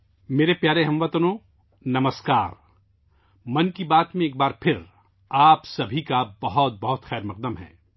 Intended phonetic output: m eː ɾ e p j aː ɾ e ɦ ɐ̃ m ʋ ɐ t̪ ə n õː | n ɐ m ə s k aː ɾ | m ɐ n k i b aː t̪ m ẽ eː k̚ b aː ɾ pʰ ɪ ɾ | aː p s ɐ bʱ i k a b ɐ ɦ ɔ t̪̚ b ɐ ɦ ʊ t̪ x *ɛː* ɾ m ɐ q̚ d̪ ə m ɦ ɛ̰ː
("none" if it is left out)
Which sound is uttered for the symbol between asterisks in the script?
ɛː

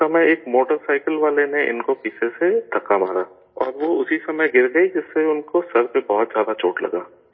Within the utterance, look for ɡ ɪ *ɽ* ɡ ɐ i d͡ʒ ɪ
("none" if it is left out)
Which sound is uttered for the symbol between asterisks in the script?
ɾ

